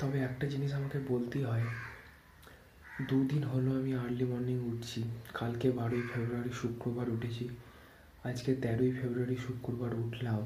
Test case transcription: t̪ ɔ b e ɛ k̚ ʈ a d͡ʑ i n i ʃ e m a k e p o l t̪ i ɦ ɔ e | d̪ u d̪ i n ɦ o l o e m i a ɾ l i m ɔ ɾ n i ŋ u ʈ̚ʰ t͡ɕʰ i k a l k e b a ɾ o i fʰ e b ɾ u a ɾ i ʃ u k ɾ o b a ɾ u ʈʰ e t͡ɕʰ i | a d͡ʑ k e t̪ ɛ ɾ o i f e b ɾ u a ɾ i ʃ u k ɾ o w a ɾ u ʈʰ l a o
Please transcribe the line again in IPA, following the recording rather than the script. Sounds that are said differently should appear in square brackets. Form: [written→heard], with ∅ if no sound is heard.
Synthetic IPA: t̪ ɔ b e ɛ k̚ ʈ a d͡ʑ i n i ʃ [e→a] m a k e [p→b] o l t̪ i ɦ ɔ e | d̪ u d̪ i n ɦ o l o [e→a] m i a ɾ l i m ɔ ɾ n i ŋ u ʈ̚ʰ t͡ɕʰ i k a l k e b a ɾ o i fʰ e b ɾ u a ɾ i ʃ u k ɾ o b a ɾ u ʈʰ e t͡ɕʰ i | a d͡ʑ k e t̪ ɛ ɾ o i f e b ɾ u a ɾ i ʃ u k ɾ o [w→b] a ɾ u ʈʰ l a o